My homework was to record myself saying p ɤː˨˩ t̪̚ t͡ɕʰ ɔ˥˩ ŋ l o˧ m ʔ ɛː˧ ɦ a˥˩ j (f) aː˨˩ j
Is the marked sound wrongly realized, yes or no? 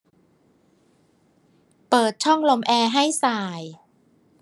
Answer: yes